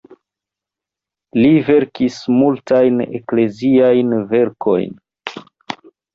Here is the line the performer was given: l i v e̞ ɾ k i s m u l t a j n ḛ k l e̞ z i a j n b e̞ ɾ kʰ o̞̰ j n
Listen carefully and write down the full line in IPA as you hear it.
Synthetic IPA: l i v e̞ ɾ k i s m u l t a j n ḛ k l e̞ z i a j n v e̞ ɾ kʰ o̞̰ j n